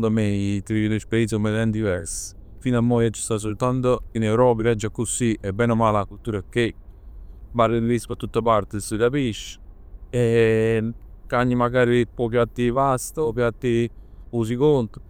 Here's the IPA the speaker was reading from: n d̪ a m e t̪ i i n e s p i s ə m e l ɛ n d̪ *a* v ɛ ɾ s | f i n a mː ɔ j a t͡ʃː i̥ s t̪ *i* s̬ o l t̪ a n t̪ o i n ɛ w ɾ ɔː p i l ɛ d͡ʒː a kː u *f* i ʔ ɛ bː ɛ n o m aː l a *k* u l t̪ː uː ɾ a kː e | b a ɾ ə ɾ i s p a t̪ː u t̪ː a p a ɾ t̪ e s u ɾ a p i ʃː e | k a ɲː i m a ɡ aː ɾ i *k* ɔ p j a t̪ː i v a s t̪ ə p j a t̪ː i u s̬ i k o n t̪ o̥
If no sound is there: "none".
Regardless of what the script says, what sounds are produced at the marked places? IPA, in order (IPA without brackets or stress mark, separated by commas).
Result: i, a, s, k, p